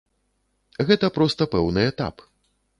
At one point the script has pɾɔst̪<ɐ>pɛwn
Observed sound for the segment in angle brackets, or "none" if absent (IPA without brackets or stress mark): ɐ